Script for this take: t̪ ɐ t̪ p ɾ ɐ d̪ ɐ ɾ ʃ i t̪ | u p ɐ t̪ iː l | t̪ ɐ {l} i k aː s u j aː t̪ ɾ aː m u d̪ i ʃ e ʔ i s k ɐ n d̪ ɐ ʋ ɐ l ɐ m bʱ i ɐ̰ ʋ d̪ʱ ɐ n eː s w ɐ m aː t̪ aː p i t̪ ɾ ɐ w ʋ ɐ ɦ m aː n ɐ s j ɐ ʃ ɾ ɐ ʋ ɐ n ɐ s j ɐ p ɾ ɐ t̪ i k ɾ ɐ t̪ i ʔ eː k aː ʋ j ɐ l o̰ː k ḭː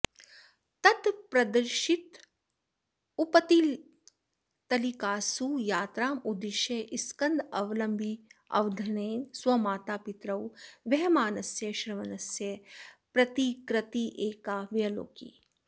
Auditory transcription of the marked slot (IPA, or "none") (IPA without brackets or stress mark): l